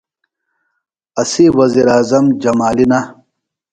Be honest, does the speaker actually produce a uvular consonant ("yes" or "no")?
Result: no